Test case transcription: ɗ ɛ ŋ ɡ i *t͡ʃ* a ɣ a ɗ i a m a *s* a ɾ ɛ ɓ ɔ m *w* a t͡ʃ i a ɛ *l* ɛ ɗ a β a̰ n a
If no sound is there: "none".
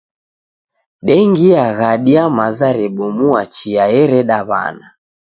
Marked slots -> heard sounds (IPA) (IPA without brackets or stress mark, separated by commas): none, z, u, ɾ